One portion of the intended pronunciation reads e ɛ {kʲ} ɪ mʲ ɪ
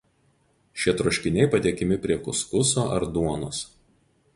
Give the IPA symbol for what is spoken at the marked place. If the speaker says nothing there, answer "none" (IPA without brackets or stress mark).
kʲ